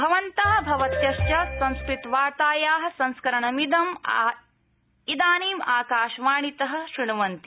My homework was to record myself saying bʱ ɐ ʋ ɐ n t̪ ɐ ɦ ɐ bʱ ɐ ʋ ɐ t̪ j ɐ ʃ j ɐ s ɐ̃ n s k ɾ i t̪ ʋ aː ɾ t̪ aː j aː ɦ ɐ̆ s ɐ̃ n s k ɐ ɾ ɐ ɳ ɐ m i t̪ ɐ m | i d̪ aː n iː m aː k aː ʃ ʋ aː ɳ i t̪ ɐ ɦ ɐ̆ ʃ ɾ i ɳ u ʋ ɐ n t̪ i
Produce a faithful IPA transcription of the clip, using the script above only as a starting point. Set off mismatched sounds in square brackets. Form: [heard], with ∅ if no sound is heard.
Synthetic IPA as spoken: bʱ ɐ ʋ ɐ n t̪ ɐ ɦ ɐ bʱ ɐ ʋ ɐ t̪ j ɐ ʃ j ɐ s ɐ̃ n s k ɾ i t̪ ʋ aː ɾ t̪ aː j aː ɦ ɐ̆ s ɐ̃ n s k ɐ ɾ ɐ ɳ ɐ m i [d̪] ɐ m | i d̪ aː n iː m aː k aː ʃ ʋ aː ɳ i t̪ ɐ ɦ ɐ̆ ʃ ɾ i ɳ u ʋ ɐ n t̪ i